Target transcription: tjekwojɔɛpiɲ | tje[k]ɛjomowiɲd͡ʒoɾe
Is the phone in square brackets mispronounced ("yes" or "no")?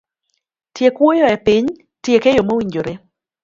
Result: no